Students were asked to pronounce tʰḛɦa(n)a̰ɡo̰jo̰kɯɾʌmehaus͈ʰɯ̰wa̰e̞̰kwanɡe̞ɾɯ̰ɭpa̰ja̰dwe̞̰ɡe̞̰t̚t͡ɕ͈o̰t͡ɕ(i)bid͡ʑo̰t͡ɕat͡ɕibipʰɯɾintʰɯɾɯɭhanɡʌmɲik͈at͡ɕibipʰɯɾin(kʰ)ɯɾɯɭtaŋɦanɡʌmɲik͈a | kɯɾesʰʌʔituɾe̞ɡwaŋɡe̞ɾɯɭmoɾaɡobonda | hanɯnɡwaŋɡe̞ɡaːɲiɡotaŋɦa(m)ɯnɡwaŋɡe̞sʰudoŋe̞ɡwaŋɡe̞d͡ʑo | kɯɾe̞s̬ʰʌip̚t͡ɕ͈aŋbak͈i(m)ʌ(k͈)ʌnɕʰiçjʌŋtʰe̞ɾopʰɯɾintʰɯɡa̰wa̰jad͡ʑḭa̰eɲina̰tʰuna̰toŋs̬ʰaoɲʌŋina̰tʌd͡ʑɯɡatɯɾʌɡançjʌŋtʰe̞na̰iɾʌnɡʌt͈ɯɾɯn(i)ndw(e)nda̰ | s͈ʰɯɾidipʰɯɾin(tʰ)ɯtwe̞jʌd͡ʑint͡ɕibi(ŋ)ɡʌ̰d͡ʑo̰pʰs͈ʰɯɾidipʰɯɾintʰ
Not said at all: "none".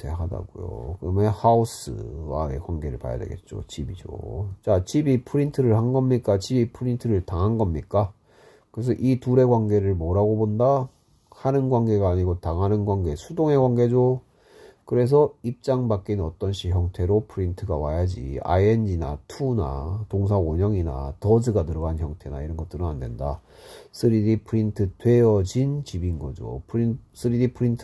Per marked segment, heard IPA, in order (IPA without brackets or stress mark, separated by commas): d, i, tʰ, n, n, t͈, a, e, tʰ, n